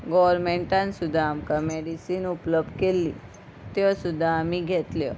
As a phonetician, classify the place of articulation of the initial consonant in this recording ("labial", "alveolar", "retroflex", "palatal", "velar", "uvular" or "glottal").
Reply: velar